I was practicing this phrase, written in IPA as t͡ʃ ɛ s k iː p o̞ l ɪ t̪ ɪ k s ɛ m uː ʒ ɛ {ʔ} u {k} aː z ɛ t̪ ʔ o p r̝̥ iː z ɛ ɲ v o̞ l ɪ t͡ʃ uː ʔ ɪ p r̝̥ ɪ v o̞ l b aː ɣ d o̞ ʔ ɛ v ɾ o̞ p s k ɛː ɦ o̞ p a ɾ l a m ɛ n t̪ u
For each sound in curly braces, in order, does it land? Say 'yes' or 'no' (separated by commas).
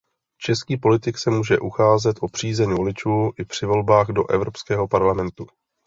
yes, no